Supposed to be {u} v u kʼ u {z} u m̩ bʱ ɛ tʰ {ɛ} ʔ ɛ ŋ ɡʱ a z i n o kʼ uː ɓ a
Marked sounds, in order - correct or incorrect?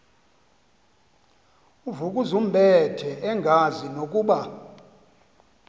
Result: correct, correct, correct

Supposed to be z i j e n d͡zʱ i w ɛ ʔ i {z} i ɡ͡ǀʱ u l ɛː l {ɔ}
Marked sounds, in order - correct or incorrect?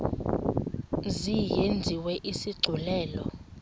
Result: incorrect, correct

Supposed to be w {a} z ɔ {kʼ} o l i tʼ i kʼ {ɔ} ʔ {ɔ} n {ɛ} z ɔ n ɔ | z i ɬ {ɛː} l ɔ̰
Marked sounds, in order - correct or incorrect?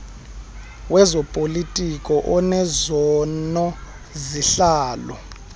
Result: incorrect, incorrect, correct, correct, correct, incorrect

